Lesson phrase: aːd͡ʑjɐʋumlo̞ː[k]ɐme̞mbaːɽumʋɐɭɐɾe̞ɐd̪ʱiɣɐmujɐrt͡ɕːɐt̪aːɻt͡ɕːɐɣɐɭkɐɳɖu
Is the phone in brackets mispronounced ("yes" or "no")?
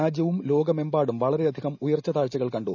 yes